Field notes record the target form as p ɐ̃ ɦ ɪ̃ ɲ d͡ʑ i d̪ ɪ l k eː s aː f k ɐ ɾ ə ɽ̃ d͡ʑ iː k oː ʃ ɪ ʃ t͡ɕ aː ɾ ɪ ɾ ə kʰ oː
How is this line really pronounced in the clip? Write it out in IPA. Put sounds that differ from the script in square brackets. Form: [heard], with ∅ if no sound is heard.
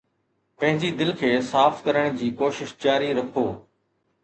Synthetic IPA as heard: p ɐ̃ ɦ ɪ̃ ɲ d͡ʑ i d̪ ɪ l [kʰ] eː s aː f k ɐ ɾ ə ɽ̃ d͡ʑ iː k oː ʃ ɪ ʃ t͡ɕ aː ɾ [i] ɾ [ɐ] kʰ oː